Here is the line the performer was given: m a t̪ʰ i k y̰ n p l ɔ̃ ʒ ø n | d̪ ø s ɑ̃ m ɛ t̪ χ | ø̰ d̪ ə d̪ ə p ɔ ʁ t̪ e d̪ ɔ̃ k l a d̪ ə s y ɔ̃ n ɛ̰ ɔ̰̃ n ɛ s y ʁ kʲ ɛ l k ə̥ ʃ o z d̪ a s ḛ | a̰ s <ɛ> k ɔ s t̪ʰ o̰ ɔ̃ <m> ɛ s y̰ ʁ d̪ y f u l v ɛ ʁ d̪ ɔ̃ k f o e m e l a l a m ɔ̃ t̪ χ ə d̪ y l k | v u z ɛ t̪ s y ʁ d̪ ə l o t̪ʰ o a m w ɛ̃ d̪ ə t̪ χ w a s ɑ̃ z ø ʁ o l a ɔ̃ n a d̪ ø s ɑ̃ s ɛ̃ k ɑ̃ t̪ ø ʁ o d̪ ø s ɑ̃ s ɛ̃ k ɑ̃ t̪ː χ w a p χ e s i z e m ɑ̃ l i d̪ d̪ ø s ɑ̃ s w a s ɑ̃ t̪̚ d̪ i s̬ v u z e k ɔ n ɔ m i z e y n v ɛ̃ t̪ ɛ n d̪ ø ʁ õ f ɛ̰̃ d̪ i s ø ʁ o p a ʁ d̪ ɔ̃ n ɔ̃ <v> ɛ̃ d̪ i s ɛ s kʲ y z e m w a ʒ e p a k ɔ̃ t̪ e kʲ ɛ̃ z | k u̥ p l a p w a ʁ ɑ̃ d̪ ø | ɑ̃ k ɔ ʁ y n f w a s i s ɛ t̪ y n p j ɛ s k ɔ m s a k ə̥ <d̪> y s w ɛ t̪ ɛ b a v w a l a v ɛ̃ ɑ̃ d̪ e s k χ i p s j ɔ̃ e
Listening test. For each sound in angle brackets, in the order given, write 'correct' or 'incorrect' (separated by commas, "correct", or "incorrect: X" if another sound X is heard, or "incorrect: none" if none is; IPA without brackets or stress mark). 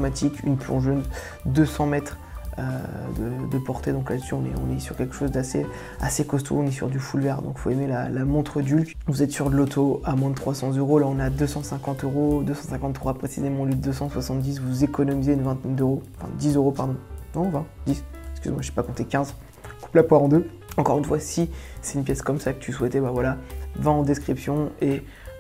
incorrect: e, incorrect: n, correct, incorrect: t̪